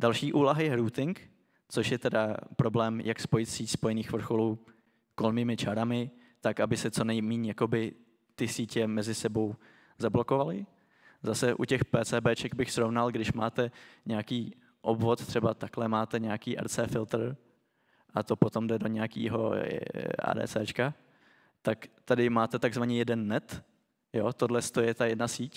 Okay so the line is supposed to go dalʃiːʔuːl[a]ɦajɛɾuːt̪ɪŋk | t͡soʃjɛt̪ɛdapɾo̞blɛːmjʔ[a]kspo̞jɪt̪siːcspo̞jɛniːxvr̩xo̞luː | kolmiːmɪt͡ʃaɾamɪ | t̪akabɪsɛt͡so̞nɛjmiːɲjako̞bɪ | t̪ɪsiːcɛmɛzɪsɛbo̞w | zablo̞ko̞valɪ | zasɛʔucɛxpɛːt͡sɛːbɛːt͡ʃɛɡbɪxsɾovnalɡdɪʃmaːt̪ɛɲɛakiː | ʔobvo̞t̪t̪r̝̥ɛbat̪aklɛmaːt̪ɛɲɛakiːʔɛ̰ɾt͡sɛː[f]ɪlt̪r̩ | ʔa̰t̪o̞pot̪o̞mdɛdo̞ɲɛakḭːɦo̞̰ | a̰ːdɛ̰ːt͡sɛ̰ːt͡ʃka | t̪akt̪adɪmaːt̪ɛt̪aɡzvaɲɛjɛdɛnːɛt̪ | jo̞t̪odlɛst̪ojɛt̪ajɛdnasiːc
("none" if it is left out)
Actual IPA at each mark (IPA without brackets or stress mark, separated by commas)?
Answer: a, a, f